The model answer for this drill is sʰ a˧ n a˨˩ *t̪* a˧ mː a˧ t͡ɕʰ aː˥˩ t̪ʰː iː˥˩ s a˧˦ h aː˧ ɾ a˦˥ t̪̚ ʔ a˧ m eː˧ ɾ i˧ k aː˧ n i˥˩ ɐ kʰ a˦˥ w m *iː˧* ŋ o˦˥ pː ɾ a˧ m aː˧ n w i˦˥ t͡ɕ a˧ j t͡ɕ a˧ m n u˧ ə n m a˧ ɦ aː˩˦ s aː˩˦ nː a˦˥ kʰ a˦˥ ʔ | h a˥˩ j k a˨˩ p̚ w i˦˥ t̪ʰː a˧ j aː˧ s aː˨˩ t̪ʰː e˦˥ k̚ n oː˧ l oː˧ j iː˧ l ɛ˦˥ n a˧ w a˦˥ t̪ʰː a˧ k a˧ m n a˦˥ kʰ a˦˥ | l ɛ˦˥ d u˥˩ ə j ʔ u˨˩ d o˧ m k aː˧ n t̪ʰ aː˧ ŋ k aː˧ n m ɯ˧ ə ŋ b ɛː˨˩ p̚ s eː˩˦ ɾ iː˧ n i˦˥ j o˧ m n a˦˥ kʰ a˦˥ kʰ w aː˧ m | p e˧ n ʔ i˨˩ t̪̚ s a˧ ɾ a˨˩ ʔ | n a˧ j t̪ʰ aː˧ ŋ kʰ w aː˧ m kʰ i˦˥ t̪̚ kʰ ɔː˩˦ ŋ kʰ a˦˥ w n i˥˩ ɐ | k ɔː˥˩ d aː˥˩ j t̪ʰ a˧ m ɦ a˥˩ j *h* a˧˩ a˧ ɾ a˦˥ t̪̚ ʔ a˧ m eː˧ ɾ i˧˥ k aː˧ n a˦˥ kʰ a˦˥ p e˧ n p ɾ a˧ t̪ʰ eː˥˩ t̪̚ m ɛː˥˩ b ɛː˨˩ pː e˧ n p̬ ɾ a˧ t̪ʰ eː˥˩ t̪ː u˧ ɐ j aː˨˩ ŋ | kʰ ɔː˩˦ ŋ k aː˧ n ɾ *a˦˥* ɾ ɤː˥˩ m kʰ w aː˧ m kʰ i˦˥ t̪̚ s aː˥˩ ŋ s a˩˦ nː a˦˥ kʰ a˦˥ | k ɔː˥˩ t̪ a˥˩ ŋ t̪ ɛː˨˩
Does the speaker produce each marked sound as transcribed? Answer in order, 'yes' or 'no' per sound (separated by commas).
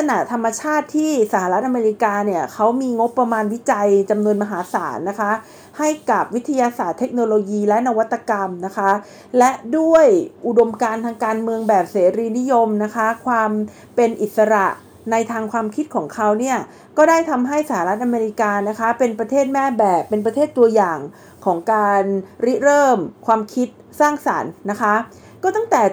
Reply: no, yes, no, no